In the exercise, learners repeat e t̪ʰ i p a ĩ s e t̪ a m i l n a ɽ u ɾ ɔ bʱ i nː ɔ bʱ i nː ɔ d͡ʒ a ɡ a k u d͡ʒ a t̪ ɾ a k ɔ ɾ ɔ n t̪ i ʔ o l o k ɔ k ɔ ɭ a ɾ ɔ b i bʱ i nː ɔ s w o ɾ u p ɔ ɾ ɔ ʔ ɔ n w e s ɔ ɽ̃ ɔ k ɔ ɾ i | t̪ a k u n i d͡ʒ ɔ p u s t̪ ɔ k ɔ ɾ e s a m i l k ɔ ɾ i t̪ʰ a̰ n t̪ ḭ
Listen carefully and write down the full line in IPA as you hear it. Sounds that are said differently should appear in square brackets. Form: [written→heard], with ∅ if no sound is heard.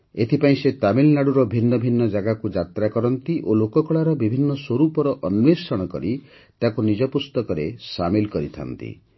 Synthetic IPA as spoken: e t̪ʰ i p a ĩ s e t̪ a m i l n a ɽ u ɾ ɔ bʱ i nː ɔ bʱ i nː ɔ d͡ʒ a ɡ a k u d͡ʒ a t̪ ɾ a k ɔ ɾ ɔ n t̪ i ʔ o l o k ɔ k ɔ ɭ a ɾ ɔ b i bʱ i nː ɔ s w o ɾ u p ɔ ɾ ɔ ʔ ɔ n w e s ɔ ɽ̃ ɔ k ɔ ɾ i | t̪ a k u n i d͡ʒ ɔ p u s t̪ ɔ k ɔ ɾ e s a m i l k ɔ ɾ i t̪ʰ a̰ n t̪ ḭ

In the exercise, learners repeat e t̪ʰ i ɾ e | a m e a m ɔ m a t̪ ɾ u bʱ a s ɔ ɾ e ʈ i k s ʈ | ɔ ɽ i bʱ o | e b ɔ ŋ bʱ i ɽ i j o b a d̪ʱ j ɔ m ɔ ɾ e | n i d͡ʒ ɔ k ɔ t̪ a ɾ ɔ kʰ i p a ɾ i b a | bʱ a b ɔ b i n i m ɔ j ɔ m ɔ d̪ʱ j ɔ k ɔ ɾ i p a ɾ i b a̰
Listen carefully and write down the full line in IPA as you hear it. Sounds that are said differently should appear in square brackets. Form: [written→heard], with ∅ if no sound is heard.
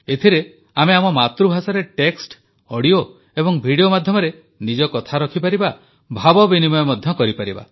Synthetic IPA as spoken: e t̪ʰ i ɾ e | a m e a m ɔ m a t̪ ɾ u bʱ a s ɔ ɾ e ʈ [i→e] k s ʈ | ɔ ɽ i [bʱ→∅] o | e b ɔ ŋ bʱ i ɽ i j o [b→m] a d̪ʱ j ɔ m ɔ ɾ e | n i d͡ʒ ɔ k ɔ [t̪→t̪ʰ] a ɾ ɔ kʰ i p a ɾ i b a | bʱ a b ɔ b i n i m ɔ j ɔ m ɔ d̪ʱ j ɔ k ɔ ɾ i p a ɾ i b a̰

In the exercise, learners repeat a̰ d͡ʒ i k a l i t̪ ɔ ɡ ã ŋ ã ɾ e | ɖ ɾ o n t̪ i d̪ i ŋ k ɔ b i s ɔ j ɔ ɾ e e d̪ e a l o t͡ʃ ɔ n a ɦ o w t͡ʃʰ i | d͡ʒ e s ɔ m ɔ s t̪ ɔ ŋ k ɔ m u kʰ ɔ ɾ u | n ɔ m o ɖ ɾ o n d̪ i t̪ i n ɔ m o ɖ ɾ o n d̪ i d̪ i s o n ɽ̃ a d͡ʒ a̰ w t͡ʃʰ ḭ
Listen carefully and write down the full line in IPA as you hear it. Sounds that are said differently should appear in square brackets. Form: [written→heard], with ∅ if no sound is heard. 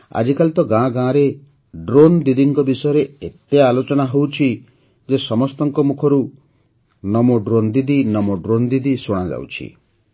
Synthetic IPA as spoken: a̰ d͡ʒ i k a l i t̪ ɔ ɡ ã [ŋ→ɡ] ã ɾ e | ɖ ɾ o n [t̪→d̪] i d̪ i ŋ k ɔ b i s ɔ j ɔ ɾ e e [d̪→t̪] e a l o t͡ʃ ɔ n a ɦ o w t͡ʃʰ i | d͡ʒ e s ɔ m ɔ s t̪ ɔ ŋ k ɔ m u kʰ ɔ ɾ u | n ɔ m o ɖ ɾ o n d̪ i [t̪→d̪] i n ɔ m o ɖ ɾ o n d̪ i d̪ i s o [n→∅] ɽ̃ a d͡ʒ a̰ w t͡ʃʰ ḭ

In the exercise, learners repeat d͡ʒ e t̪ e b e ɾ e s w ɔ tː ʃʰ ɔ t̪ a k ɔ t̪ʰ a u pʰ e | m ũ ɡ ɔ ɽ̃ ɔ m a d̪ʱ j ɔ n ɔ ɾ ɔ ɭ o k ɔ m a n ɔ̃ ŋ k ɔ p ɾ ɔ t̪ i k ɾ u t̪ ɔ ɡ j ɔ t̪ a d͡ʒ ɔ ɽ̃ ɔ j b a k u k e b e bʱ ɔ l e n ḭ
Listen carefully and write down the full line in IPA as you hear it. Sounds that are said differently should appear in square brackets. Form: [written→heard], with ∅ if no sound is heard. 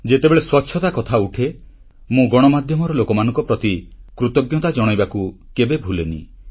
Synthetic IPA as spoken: d͡ʒ e t̪ e b e [ɾ→ɭ] e s w ɔ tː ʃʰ ɔ t̪ a k ɔ t̪ʰ a u [pʰ→ʈʰ] e | m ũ ɡ ɔ ɽ̃ ɔ m a d̪ʱ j ɔ [n→m] ɔ ɾ ɔ [ɭ→l] o k ɔ m a n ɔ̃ ŋ k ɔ p ɾ ɔ t̪ i k ɾ u t̪ ɔ ɡ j ɔ t̪ a d͡ʒ ɔ ɽ̃ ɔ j b a k u k e b e bʱ [ɔ→u] l e n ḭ

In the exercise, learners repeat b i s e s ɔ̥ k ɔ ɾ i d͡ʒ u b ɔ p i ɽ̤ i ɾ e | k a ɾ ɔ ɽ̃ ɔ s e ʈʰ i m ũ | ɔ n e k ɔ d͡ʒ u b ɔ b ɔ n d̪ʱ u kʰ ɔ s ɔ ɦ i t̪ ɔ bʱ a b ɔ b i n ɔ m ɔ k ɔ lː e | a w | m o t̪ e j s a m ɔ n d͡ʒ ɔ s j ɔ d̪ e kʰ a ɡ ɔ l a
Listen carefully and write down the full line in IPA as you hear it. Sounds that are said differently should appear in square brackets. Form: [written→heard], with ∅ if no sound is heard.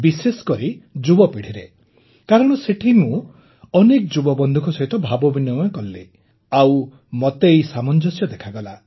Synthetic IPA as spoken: b i s e s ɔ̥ k ɔ ɾ i d͡ʒ u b ɔ p i ɽ̤ i ɾ e | k a ɾ ɔ ɽ̃ ɔ s e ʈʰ i m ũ | ɔ n e k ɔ d͡ʒ u b ɔ b ɔ n d̪ʱ u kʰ ɔ s ɔ ɦ i t̪ ɔ bʱ a b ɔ b i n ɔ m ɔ k ɔ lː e | a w | m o t̪ e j s a m ɔ n d͡ʒ ɔ s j ɔ d̪ e kʰ a ɡ ɔ l a

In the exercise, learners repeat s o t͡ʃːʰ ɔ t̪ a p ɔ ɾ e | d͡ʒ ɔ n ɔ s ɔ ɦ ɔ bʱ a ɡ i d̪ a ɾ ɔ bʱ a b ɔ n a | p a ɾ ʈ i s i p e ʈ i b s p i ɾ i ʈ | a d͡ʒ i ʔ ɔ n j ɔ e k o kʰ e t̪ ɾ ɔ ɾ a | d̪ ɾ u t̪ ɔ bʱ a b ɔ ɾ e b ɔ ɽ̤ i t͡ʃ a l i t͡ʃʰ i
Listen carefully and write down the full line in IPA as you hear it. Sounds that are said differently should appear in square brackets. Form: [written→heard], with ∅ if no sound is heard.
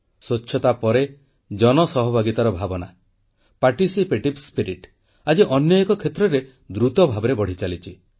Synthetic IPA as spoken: s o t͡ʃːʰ ɔ t̪ a p ɔ ɾ e | d͡ʒ ɔ n ɔ s ɔ ɦ ɔ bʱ a ɡ i [d̪→t̪] a ɾ ɔ bʱ a b ɔ n a | p a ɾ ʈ i s i p e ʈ i b s p i ɾ i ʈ | a d͡ʒ i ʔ ɔ n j ɔ e k [o→ɔ] kʰ e t̪ ɾ ɔ ɾ [a→e] | d̪ ɾ u t̪ ɔ bʱ a b ɔ ɾ e b ɔ ɽ̤ i t͡ʃ a l i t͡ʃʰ i

